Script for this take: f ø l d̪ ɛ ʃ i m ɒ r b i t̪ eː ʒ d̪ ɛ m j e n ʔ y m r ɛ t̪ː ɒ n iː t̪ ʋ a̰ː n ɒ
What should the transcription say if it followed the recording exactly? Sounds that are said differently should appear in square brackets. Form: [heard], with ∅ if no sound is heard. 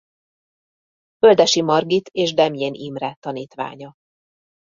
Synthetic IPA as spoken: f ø l d̪ ɛ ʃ i m ɒ r [ɡ] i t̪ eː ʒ d̪ ɛ m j e n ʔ [i] m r ɛ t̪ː ɒ n iː t̪ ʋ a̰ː [ɲ] ɒ